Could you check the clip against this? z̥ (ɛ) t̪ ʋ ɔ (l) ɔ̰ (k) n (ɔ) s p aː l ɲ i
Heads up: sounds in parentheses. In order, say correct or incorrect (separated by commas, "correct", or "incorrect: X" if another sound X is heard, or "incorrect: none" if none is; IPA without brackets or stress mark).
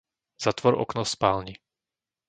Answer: incorrect: a, incorrect: ɾ, correct, correct